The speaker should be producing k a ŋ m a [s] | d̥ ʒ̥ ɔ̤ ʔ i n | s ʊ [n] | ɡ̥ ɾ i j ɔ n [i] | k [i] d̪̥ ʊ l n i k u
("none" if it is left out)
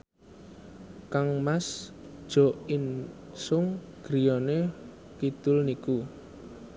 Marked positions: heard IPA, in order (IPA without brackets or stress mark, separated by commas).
s, ŋ, e, i